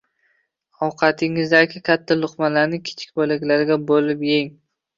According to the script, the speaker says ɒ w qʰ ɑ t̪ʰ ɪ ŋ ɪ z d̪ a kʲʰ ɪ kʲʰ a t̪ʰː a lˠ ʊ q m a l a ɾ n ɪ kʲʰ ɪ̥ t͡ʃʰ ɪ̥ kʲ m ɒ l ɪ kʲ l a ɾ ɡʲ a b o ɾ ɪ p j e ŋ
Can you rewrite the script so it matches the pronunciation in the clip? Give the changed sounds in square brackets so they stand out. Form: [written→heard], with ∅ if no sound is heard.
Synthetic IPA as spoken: ɒ w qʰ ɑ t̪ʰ ɪ ŋ ɪ z d̪ a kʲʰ ɪ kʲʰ a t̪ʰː a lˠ ʊ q m a l a ɾ n ɪ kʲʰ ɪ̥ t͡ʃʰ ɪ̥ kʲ [m→b] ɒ l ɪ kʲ l a ɾ ɡʲ a b o [ɾ→l] ɪ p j e ŋ